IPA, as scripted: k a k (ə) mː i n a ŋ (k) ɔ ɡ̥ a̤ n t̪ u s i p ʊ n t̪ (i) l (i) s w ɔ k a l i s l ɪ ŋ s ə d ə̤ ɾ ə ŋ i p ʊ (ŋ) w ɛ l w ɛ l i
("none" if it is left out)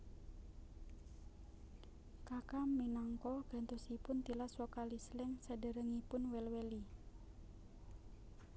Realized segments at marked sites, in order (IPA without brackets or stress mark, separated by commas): a, k, i, a, n